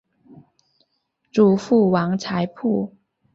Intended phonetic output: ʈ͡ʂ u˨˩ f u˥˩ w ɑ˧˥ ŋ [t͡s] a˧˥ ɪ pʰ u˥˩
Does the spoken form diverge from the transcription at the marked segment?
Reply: yes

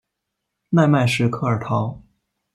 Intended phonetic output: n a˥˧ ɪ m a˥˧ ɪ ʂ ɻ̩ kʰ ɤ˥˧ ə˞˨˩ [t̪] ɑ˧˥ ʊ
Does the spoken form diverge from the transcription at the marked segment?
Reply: yes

